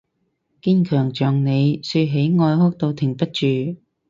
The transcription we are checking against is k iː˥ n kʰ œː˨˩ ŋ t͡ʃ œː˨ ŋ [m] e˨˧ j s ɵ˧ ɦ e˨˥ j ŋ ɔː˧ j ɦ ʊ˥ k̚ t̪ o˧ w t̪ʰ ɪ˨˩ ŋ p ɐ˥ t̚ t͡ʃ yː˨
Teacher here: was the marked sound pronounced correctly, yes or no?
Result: no